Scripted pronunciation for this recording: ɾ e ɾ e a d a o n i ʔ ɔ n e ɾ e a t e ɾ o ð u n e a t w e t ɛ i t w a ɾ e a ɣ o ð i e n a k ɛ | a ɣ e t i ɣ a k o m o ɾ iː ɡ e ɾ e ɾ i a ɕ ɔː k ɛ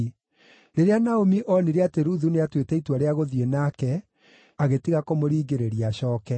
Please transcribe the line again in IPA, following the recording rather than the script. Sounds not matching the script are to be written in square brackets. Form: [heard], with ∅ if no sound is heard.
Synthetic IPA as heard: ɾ e ɾ e a [n] a o [m] i ʔ ɔ n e ɾ e a t e ɾ [u] ð u n e a t w e t ɛ i t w a ɾ e a ɣ o ð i e n a k ɛ | a ɣ e t i ɣ a k o m o ɾ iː ɡ e ɾ e ɾ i a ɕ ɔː k ɛ